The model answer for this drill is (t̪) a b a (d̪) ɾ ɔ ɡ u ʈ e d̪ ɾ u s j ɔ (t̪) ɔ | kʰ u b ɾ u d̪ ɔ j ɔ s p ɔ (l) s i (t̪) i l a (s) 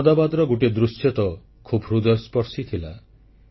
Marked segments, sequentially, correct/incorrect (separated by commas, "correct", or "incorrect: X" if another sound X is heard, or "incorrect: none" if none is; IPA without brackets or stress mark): incorrect: d̪, correct, correct, incorrect: ɾ, incorrect: t̪ʰ, incorrect: none